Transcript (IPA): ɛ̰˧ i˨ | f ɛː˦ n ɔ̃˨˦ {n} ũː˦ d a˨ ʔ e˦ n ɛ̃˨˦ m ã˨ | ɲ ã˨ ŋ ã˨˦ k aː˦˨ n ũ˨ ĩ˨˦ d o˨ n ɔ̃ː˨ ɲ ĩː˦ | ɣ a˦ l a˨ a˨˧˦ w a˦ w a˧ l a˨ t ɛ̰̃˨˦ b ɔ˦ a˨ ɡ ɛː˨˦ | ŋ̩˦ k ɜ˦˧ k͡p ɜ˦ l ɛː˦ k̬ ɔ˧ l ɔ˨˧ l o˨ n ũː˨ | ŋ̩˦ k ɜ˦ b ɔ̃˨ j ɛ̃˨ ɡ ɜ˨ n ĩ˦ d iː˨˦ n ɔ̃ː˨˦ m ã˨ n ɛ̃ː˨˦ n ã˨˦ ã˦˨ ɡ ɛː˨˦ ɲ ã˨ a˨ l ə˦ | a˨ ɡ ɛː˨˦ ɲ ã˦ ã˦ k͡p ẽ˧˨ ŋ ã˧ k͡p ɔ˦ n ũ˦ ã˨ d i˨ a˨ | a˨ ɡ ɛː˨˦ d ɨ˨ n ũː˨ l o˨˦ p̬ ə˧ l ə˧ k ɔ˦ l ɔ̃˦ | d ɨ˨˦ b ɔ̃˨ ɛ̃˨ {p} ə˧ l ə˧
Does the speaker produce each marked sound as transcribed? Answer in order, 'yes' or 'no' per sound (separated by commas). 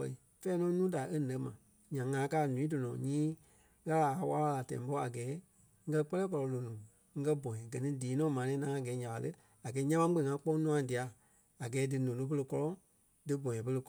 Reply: yes, yes